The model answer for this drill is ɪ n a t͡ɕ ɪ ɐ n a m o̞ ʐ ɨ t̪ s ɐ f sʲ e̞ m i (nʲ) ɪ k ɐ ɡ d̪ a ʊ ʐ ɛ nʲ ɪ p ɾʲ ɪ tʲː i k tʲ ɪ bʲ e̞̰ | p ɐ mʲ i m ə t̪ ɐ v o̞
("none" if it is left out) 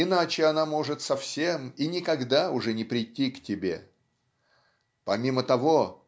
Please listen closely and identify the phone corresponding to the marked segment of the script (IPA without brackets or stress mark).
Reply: nʲ